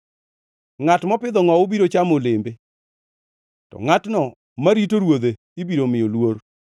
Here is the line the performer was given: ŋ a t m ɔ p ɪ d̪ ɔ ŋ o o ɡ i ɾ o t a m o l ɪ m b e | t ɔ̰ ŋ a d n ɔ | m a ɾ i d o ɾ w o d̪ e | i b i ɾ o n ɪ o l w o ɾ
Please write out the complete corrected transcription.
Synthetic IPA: ŋ a t m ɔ p ɪ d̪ ɔ ŋ ɔ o b i ɾ o t͡ʃ a m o l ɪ m b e | t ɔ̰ ŋ a t n ɔ | m a ɾ i t o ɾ w o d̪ e | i b i ɾ o m ɪ o l w o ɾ